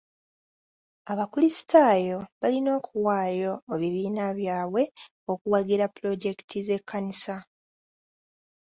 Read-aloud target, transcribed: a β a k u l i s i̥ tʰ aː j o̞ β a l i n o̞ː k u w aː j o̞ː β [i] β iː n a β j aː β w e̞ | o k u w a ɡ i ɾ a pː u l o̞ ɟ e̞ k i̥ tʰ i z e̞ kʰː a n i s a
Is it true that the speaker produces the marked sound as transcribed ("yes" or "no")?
yes